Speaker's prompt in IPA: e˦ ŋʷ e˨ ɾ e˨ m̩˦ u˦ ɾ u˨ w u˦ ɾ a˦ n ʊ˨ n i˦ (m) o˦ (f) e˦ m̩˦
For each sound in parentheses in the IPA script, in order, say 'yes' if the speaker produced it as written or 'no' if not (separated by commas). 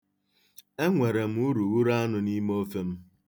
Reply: yes, yes